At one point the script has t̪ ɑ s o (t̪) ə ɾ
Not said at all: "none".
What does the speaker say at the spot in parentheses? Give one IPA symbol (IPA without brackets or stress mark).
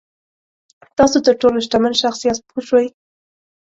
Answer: t̪